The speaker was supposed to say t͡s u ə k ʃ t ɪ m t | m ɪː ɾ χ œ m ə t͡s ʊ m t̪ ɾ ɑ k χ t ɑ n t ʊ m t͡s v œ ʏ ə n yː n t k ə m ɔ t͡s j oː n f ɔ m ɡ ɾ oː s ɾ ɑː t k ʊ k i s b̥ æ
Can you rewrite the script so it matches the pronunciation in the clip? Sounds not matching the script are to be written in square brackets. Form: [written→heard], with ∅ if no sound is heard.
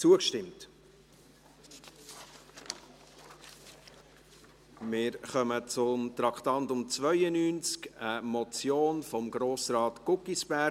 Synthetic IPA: t͡s u ə k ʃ t ɪ m t | m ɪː ɾ χ œ m ə t͡s ʊ m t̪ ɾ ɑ k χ t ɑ n t ʊ m t͡s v œ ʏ ə n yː n [t→t͡s] k ə m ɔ t͡s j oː n f ɔ m ɡ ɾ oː s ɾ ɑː t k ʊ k i s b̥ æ